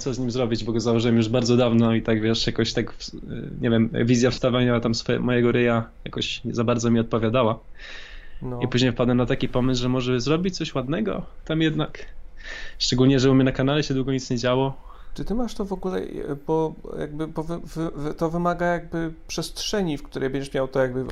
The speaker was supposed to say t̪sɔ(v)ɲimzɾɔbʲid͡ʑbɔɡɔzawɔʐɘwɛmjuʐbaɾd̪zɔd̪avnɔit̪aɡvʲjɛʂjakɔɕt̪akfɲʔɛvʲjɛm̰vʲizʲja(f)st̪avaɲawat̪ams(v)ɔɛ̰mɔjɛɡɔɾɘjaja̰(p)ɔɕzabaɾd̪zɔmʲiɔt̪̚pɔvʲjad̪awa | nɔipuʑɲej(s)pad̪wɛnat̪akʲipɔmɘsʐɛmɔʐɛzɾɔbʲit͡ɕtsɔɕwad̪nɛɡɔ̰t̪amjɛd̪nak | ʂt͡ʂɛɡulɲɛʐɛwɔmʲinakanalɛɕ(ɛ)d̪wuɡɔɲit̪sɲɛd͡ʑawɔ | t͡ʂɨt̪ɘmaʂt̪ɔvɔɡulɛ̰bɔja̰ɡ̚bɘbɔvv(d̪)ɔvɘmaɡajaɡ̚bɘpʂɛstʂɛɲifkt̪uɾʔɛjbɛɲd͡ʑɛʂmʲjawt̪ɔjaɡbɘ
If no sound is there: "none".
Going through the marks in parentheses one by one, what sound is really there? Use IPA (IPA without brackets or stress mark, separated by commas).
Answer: z, f, f, k, f, ɛ, t̪